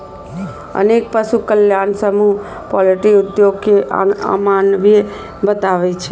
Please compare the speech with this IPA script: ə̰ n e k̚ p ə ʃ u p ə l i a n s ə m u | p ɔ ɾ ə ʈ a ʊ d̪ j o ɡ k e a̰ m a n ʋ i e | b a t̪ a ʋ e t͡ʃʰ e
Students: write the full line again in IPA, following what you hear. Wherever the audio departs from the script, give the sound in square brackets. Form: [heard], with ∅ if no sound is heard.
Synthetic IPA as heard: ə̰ n e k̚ p ə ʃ u [k] ə l [j] a n s ə m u | p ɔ [l] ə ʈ [i] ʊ d̪ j o ɡ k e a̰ m a n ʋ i e | b [ə] t̪ a ʋ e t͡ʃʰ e